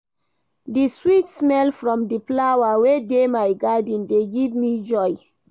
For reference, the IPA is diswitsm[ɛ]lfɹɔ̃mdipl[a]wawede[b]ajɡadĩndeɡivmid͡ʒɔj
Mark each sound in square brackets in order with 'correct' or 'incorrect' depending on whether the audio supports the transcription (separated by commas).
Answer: correct, correct, incorrect